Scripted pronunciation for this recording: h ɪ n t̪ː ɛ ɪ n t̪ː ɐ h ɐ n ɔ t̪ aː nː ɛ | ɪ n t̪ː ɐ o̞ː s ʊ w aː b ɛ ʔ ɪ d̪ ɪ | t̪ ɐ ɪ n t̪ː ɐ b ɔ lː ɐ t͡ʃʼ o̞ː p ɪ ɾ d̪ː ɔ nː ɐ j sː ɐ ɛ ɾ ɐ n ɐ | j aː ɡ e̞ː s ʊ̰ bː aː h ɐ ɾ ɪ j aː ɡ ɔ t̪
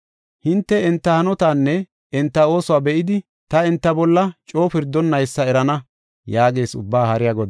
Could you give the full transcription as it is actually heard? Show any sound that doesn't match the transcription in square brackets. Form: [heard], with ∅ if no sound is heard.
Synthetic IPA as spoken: h ɪ n t̪ː ɛ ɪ n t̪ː ɐ h ɐ n ɔ t̪ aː nː ɛ | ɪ n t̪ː ɐ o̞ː s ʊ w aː b ɛ ʔ ɪ d̪ ɪ | t̪ ɐ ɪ n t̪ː ɐ b ɔ lː ɐ t͡ʃʼ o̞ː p ɪ ɾ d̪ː ɔ nː ɐ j sː ɐ ɛ ɾ ɐ n ɐ | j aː ɡ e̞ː s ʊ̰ bː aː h ɐ ɾ ɪ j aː ɡ ɔ [d̪]